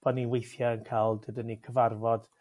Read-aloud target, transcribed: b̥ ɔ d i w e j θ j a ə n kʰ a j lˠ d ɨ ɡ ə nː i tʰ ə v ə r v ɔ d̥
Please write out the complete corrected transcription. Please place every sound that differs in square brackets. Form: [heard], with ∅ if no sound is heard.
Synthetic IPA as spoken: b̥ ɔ [n] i w e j θ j a ə n kʰ a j lˠ d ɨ [d] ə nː i [kʰ] ə v [a] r v ɔ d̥

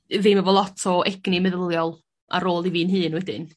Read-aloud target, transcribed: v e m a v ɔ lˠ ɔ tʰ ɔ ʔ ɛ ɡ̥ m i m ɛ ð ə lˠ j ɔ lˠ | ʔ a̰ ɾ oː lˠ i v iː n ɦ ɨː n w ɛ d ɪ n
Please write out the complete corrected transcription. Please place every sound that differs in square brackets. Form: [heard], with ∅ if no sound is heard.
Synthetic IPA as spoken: v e m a v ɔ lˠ ɔ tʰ ɔ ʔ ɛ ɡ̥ [n] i m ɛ ð ə lˠ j ɔ lˠ | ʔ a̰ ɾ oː lˠ i v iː n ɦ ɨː n w ɛ d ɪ n

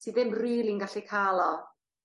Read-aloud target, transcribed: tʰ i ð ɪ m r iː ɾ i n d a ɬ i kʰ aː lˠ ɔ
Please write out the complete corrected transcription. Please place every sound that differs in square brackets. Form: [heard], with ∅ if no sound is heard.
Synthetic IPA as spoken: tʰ i ð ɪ m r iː [l] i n [ɡ] a ɬ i kʰ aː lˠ ɔ

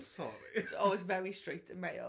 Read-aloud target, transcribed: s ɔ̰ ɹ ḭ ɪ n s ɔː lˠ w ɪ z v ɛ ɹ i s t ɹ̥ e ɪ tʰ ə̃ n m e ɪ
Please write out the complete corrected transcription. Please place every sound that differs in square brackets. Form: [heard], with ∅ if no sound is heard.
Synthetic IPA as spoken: s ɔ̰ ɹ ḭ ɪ [∅] s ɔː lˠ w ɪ z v ɛ ɹ i s t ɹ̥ e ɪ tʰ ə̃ n m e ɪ

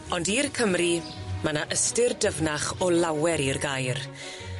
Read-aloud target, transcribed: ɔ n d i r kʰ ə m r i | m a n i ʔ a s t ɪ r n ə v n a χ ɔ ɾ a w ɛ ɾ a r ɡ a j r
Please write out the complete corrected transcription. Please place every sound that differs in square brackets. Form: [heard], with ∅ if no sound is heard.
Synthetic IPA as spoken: ɔ n d i r kʰ ə m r i | m a n [a] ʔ [ə] s t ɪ r [d] ə v n a χ ɔ [l] a w ɛ ɾ [i] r ɡ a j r

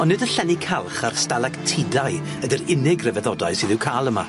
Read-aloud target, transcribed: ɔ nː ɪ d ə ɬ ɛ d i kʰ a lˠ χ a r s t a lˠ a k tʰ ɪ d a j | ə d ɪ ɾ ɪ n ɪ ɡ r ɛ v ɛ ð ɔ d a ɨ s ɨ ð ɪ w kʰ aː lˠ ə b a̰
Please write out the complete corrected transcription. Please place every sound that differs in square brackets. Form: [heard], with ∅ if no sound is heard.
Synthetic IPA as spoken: ɔ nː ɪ d ə ɬ ɛ [n] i kʰ a lˠ χ a r s t a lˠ a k tʰ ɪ d a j | ə d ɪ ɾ ɪ n ɪ ɡ r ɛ v ɛ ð ɔ d a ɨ s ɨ ð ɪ w kʰ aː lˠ ə [m] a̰

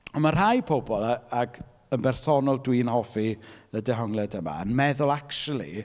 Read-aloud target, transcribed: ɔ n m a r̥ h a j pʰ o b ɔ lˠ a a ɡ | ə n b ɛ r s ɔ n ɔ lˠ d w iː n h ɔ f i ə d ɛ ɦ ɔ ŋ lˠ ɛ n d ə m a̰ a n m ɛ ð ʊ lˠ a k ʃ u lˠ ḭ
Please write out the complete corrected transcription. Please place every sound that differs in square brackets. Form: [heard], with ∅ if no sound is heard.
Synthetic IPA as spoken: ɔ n m a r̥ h a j pʰ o b ɔ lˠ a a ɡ | ə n b ɛ r s ɔ n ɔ lˠ d w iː n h ɔ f i ə d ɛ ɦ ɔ ŋ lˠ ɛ [∅] d ə m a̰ [ə] n m ɛ ð ʊ lˠ a k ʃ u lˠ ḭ

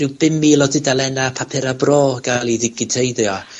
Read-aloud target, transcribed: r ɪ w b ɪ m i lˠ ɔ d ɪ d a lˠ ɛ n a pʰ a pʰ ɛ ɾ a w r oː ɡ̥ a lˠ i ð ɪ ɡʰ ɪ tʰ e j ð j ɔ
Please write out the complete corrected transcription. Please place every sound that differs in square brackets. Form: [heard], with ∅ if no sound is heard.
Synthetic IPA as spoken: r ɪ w b ɪ m i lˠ ɔ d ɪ d a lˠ ɛ n a pʰ a pʰ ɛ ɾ a [b] r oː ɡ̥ a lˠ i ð ɪ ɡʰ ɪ tʰ e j ð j ɔ

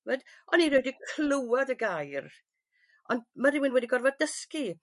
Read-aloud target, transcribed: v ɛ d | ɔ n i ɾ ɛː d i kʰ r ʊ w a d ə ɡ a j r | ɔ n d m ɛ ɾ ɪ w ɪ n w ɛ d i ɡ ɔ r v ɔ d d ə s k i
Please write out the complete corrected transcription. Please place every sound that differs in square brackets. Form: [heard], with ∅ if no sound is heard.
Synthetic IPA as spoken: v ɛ d | ɔ n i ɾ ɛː d i kʰ [l] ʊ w a d ə ɡ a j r | ɔ n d m [a] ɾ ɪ w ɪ n w ɛ d i ɡ ɔ r v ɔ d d ə s k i

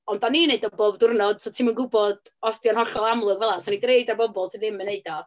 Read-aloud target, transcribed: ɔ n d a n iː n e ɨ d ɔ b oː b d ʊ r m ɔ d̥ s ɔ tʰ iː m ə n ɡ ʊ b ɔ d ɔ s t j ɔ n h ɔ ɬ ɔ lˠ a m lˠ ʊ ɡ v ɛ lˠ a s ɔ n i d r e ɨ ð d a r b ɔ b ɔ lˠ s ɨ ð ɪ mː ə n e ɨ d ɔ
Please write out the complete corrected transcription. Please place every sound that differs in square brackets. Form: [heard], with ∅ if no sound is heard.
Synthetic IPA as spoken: ɔ n d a n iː n e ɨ d ɔ b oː b d ʊ r [n] ɔ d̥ s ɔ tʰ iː m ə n ɡ ʊ b ɔ d ɔ s t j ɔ n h ɔ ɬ ɔ lˠ a m lˠ ʊ ɡ v ɛ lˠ a s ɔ n i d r e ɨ [∅] d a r b ɔ b ɔ lˠ s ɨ ð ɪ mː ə n e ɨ d ɔ

